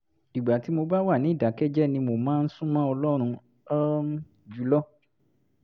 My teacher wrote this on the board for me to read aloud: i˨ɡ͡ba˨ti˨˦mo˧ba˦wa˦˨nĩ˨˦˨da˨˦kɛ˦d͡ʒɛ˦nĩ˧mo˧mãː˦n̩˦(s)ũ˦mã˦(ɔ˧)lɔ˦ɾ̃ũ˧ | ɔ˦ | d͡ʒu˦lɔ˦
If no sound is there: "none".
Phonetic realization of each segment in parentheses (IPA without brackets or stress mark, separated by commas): s, ɔ˧